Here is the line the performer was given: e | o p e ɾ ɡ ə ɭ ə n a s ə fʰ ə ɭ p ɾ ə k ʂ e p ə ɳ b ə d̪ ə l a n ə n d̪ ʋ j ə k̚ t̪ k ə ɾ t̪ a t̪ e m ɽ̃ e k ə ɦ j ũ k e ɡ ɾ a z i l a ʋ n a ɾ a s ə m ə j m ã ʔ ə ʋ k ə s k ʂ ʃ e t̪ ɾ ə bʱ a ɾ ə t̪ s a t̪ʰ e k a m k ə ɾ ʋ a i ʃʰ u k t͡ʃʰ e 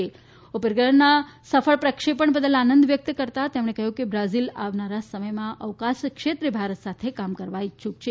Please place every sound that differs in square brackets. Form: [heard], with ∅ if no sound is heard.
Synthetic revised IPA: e | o p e ɾ ɡ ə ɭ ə n a s ə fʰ ə ɭ p ɾ ə k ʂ e p ə ɳ b ə d̪ ə l a n ə n d̪ ʋ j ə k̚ t̪ k ə ɾ t̪ a t̪ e m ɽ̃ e k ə ɦ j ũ k e [b] ɾ a z i l a ʋ n a ɾ a s ə m ə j m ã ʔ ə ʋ k [a] s k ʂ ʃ e t̪ ɾ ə bʱ a ɾ ə t̪ s a t̪ʰ e k a m k ə ɾ ʋ a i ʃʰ u k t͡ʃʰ e

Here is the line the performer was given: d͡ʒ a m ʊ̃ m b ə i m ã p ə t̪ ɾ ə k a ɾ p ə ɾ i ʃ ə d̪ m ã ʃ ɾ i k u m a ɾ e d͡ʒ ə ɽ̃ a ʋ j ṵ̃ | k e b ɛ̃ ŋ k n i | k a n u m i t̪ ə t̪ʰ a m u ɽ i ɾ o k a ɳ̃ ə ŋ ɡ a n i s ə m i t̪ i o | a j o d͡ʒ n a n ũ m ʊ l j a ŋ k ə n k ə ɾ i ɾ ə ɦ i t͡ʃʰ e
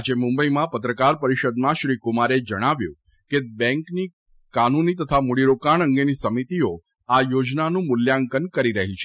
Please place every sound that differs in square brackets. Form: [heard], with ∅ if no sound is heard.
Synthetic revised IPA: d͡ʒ [e] m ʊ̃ m b ə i m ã p ə t̪ ɾ ə k a ɾ p ə ɾ i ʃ ə d̪ m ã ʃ ɾ i k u m a ɾ e d͡ʒ ə ɽ̃ a ʋ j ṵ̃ | k e b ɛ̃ ŋ k n i | k a n u [n] i t̪ ə t̪ʰ a m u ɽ i ɾ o k a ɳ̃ ə ŋ ɡ [e] n i s ə m i t̪ i o | a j o d͡ʒ n a n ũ m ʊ l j a ŋ k ə n k ə ɾ i ɾ ə ɦ i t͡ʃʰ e

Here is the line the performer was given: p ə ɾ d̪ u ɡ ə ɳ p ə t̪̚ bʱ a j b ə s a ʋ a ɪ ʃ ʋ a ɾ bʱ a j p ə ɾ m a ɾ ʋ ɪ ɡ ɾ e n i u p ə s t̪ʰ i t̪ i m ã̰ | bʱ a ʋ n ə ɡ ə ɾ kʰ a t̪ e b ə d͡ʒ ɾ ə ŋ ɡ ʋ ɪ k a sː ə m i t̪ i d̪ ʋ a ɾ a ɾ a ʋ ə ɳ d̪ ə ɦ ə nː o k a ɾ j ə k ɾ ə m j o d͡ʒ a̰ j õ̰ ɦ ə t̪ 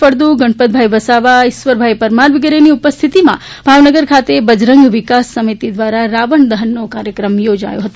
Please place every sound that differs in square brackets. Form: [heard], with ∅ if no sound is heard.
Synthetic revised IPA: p ə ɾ d̪ u ɡ ə ɳ p ə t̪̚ bʱ a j b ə s a ʋ a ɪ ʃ ʋ [ə] ɾ bʱ a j p ə ɾ m a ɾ ʋ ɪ ɡ ɾ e n i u p ə s t̪ʰ i t̪ i m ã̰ | bʱ a ʋ n ə ɡ ə ɾ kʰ a t̪ e b ə d͡ʒ ɾ ə ŋ ɡ ʋ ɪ k a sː ə m i t̪ i d̪ ʋ a ɾ a ɾ a ʋ ə ɳ d̪ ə ɦ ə nː o k a ɾ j ə k ɾ ə m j o d͡ʒ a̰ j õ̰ ɦ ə t̪

